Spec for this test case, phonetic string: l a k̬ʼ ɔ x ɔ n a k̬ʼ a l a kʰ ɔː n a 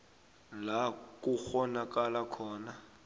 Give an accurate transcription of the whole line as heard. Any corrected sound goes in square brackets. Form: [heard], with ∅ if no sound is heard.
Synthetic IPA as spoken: l a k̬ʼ [u] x ɔ n a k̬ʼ a l a kʰ ɔː n a

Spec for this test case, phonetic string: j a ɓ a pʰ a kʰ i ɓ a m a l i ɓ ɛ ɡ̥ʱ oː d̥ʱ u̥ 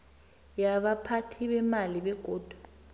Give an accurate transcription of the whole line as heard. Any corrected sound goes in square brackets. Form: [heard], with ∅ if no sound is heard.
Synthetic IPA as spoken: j a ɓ a pʰ a [tʰ] i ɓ [ɛ] m a l i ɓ ɛ ɡ̥ʱ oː d̥ʱ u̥

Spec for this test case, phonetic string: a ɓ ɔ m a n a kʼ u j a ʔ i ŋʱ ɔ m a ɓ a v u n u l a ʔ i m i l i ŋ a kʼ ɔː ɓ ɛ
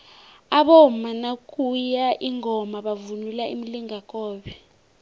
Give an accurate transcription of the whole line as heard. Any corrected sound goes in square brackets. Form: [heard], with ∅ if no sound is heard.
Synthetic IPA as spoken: a ɓ ɔ m a n a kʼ u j a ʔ i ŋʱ ɔ m a ɓ a v u n u l a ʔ i m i l i ŋ a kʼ ɔː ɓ ɛ

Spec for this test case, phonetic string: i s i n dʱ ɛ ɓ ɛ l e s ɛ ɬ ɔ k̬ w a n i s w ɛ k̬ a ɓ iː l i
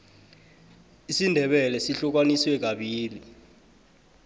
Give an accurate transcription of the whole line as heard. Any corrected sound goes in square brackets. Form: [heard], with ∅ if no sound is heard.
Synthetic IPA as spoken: i s i n dʱ ɛ ɓ ɛ l [ɛ] s [i] ɬ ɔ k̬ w a n i s w ɛ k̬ a ɓ iː l i

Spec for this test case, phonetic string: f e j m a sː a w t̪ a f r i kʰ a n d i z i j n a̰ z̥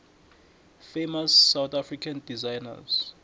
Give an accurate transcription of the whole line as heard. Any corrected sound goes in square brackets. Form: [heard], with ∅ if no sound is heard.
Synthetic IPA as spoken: f e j m a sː a w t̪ a f r i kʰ a n d i z [a] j n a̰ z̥

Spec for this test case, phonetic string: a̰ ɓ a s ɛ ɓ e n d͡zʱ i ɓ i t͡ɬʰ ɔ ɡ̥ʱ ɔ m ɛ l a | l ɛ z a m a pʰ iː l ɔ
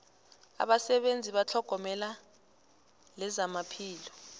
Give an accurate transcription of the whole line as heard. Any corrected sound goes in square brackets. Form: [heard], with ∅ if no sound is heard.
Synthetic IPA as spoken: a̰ ɓ a s ɛ ɓ e n d͡zʱ i ɓ [a] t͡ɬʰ ɔ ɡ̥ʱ ɔ m ɛ l a | l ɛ z a m a pʰ iː l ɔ

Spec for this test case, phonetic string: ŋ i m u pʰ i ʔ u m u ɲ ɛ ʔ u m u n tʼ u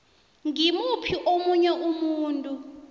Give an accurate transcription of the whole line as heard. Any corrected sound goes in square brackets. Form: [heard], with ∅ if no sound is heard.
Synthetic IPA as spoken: ŋ i m u pʰ i ʔ [o] m u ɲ ɛ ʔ u m [uː] n tʼ u

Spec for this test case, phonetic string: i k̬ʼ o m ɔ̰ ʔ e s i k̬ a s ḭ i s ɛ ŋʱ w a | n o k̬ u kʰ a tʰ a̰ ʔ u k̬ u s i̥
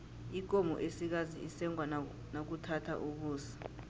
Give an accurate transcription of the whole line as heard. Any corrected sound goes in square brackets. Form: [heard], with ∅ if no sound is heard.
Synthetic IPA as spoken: i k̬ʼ o m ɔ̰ ʔ e s i k̬ a [z] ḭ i s ɛ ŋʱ w a | n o k̬ u [tʰ] a tʰ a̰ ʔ u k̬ [uː] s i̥

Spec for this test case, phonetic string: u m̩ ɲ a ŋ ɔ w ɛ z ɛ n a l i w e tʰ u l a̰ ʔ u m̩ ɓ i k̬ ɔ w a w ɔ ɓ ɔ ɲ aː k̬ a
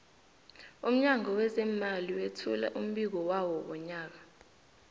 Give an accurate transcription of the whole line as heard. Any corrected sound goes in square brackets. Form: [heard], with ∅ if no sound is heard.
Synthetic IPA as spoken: u m̩ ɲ a ŋ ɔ w ɛ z ɛ [m] a l i w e tʰ u l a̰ ʔ u m̩ ɓ i k̬ ɔ w a w ɔ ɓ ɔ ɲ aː k̬ a

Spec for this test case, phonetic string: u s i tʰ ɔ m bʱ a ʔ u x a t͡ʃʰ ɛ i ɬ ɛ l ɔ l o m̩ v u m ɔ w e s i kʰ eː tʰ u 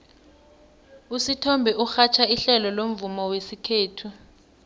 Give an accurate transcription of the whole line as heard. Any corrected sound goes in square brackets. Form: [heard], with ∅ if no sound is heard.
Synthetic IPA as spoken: u s i tʰ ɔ m bʱ [ɛ] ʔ u x a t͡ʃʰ [a] i ɬ ɛ l ɔ l o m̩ v u m ɔ w e s i kʰ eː tʰ u

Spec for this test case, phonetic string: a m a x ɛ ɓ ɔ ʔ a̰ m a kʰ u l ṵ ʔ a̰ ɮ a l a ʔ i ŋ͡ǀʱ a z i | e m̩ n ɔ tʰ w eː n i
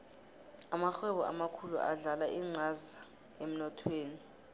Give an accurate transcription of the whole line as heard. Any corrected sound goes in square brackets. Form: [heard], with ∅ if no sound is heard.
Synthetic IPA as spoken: a m a x ɛ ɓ ɔ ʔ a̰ m a kʰ u l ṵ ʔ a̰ ɮ a l a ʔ i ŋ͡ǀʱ a z [a] | e m̩ n ɔ tʰ w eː n i

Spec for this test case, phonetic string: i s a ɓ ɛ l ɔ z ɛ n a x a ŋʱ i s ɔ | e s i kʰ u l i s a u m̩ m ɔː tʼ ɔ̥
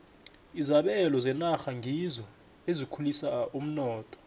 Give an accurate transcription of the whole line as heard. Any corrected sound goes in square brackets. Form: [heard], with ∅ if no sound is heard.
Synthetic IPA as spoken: i [z] a ɓ ɛ l ɔ z ɛ n a x a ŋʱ i [z] ɔ | e [z] i kʰ u l i s a u m̩ [n] ɔː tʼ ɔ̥

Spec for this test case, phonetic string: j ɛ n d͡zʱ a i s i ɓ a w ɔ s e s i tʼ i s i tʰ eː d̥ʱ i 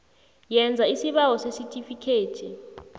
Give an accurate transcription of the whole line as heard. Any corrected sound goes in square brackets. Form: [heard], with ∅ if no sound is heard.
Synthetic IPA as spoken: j ɛ n d͡zʱ a i s i ɓ a w ɔ s e s i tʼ i [f] i [kʰ] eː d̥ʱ i

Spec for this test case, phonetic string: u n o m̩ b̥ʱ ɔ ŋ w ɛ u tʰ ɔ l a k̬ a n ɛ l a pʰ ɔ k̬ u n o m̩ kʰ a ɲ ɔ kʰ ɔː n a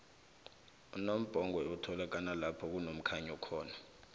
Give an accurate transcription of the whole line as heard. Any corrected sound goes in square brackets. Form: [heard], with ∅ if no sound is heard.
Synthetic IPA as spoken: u n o m̩ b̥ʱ ɔ ŋ w ɛ u tʰ ɔ l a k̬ a n [a] l a pʰ ɔ k̬ u n o m̩ kʰ a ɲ ɔ kʰ ɔː n a

